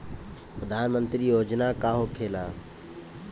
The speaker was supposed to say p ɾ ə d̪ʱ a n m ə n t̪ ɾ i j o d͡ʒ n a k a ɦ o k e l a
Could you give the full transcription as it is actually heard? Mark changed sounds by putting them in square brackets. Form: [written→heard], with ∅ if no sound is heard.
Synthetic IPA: p ɾ ə d̪ʱ a n m ə n t̪ ɾ i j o d͡ʒ n a k a ɦ o [k→kʰ] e l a